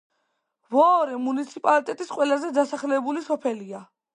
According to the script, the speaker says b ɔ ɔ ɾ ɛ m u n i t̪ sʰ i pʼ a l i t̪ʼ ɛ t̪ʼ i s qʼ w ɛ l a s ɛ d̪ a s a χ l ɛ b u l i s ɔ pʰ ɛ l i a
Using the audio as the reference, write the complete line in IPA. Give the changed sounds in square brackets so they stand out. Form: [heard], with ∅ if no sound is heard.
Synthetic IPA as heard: [v] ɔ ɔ ɾ ɛ m u n i t̪ sʰ i pʼ a l i t̪ʼ ɛ t̪ʼ i s qʼ w ɛ l a [z] ɛ d̪ a s a χ l ɛ b u l i s ɔ pʰ ɛ l i a